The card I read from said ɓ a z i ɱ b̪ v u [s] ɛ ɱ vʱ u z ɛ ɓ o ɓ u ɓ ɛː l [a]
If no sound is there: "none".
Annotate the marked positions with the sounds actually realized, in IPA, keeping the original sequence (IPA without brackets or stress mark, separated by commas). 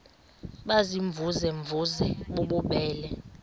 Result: z, ɛ